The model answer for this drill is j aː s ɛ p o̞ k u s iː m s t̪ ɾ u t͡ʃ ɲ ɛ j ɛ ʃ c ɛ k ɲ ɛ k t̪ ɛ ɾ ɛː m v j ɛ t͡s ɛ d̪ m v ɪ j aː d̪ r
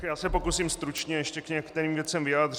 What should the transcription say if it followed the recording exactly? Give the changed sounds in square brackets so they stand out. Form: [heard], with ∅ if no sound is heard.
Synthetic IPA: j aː s ɛ p o̞ k u s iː m s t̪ ɾ u t͡ʃ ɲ ɛ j ɛ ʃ c ɛ k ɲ ɛ k t̪ ɛ ɾ [iː] m v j ɛ t͡s ɛ [∅] m v ɪ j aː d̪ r